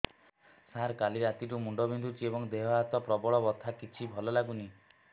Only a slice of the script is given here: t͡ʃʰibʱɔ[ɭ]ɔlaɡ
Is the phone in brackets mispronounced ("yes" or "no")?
yes